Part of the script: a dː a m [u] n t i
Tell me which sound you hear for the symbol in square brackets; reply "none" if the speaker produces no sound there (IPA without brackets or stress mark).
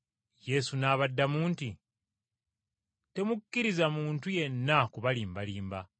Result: uː